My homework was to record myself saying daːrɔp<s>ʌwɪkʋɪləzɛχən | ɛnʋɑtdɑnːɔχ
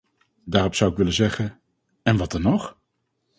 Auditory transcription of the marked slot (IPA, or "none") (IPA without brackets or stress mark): s